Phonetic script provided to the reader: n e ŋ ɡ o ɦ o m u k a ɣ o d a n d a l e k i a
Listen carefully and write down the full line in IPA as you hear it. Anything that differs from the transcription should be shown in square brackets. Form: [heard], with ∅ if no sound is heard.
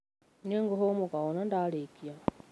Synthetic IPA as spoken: n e ŋ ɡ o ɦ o m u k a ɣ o [n] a n d a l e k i a